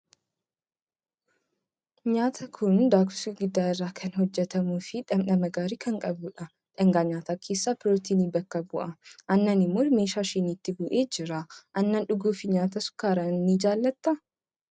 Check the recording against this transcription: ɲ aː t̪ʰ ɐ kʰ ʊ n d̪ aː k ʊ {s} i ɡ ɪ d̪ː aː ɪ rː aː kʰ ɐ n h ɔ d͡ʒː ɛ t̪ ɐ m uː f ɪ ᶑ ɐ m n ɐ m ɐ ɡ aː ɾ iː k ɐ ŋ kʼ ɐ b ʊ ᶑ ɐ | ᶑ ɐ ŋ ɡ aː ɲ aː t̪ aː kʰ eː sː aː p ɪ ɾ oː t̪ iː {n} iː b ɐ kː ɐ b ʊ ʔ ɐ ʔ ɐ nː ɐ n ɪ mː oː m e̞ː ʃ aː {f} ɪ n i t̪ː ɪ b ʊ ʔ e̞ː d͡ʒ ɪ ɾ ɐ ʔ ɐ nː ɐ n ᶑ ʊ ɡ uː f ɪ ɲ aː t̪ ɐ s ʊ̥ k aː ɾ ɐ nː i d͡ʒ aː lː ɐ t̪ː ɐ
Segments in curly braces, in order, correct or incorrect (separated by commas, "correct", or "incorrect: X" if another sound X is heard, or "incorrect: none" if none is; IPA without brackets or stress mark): correct, correct, incorrect: ʃ